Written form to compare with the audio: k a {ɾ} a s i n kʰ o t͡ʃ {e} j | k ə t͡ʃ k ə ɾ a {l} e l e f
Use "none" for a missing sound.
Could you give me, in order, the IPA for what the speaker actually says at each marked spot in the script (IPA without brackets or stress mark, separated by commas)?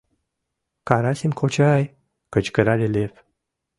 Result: ɾ, a, l